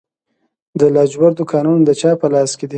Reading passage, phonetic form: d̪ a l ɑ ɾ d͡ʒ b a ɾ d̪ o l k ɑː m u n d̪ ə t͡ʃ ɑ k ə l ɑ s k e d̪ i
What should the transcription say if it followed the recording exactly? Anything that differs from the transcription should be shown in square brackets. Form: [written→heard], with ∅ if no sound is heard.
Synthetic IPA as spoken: d̪ [a→ə] l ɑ [ɾ→∅] d͡ʒ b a ɾ d̪ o [l→∅] k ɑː [m→n] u n d̪ ə t͡ʃ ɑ [k→p] ə l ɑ s k e d̪ i